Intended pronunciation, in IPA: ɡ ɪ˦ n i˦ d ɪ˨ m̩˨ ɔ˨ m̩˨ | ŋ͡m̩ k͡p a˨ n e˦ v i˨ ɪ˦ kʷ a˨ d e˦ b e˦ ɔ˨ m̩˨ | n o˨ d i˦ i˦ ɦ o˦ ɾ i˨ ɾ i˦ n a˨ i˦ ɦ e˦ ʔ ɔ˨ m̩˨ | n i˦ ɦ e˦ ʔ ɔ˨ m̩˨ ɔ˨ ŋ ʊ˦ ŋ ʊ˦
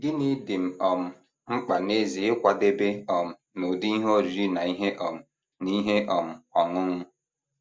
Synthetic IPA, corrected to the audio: ɡ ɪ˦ n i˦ d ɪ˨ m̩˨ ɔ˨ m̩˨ | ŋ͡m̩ k͡p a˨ n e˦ z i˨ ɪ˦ kʷ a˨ d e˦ b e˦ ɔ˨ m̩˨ | n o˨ d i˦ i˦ ɦ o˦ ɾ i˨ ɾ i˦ n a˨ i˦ ɦ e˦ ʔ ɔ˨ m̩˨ | n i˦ ɦ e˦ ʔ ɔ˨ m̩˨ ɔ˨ ŋ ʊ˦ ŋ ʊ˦